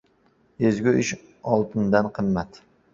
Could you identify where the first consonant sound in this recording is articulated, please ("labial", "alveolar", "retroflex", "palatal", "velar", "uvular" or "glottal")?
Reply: alveolar